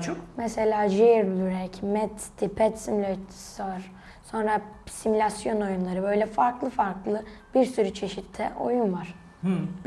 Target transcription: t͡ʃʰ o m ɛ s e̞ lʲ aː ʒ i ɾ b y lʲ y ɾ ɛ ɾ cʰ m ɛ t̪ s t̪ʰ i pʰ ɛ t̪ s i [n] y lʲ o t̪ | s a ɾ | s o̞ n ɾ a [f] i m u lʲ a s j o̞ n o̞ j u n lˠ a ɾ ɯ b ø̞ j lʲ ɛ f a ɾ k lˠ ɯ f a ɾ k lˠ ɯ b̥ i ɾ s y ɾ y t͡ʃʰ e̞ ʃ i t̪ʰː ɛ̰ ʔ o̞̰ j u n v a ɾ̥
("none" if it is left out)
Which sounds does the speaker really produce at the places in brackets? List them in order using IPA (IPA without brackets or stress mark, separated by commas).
m, s